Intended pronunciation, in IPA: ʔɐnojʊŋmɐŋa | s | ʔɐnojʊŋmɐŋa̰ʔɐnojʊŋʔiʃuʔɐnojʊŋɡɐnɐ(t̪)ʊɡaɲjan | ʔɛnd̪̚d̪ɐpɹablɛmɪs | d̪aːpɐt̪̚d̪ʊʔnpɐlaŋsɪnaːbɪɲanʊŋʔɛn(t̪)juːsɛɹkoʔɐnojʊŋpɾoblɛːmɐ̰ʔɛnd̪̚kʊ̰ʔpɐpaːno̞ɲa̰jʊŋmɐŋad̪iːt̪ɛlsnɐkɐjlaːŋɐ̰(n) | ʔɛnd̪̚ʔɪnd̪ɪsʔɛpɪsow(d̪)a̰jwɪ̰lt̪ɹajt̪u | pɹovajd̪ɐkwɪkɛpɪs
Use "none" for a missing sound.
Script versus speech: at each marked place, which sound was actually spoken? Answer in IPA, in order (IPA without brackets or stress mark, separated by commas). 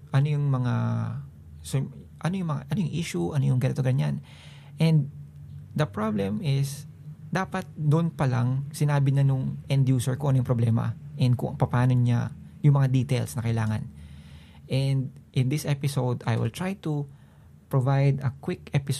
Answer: t̪, d̪, n, d̪